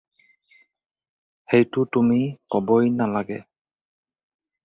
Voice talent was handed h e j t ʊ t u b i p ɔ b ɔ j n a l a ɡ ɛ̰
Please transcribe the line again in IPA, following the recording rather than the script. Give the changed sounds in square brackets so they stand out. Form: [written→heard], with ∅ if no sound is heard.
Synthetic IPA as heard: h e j t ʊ t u [b→m] i [p→k] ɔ b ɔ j n a l a ɡ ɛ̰